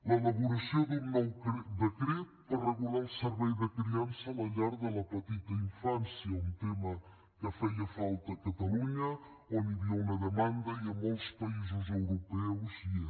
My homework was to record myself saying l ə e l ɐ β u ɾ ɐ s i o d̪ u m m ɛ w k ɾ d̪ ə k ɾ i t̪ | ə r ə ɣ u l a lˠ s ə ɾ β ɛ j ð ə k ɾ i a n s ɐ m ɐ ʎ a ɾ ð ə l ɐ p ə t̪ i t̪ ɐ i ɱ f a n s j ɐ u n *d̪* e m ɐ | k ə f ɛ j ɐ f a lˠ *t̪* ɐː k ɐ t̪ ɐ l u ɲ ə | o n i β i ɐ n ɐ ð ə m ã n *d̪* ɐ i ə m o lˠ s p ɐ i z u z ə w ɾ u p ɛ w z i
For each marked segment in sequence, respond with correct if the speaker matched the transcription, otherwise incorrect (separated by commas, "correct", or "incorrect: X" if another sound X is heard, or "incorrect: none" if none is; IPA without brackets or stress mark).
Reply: incorrect: t̪, correct, correct